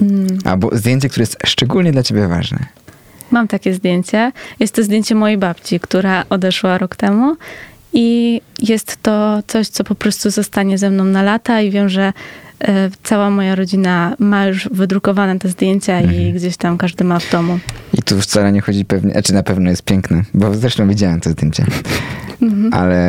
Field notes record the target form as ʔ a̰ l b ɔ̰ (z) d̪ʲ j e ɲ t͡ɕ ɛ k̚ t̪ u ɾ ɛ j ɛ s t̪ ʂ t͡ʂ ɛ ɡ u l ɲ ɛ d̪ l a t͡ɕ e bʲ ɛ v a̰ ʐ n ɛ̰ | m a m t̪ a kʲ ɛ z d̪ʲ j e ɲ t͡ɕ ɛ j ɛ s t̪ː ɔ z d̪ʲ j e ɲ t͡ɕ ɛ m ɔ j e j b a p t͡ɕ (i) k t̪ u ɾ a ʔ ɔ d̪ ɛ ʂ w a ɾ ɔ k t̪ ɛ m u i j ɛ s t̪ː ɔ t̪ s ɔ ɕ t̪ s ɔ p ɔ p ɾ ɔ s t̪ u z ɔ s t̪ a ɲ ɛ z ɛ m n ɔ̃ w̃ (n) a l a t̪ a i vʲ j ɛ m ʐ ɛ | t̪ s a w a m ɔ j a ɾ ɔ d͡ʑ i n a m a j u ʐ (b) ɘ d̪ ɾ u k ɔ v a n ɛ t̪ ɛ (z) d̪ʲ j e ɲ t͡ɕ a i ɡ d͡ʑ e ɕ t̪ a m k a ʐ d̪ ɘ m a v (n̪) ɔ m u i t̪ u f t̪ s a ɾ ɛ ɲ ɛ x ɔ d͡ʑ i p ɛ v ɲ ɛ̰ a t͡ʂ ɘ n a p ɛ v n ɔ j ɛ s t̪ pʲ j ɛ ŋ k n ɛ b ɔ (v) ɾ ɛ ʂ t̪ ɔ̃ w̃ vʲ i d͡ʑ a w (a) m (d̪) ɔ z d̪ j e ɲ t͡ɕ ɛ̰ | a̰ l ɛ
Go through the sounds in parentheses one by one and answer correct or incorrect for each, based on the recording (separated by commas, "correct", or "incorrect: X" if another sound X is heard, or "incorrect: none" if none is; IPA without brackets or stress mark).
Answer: correct, correct, correct, incorrect: v, correct, incorrect: d̪, incorrect: z, incorrect: ɛ, incorrect: t̪